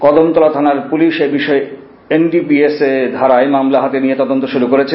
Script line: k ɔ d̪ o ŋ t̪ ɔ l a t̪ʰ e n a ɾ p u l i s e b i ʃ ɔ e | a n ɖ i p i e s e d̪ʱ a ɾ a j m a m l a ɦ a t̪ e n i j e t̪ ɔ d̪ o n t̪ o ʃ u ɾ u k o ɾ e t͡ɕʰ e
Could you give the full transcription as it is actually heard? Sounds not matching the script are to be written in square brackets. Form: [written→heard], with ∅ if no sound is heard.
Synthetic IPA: k ɔ d̪ o [ŋ→m] t̪ ɔ l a t̪ʰ [e→a] n a ɾ p u l i [s→ʃ] e b i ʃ ɔ e | [a→e] n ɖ i p i e s e d̪ʱ a ɾ a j m a m l a ɦ a t̪ e n i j e t̪ ɔ d̪ o n t̪ o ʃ u ɾ u k o ɾ e t͡ɕʰ e